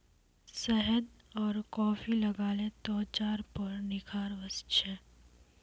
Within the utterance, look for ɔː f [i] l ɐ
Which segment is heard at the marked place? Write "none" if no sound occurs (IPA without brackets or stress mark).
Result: i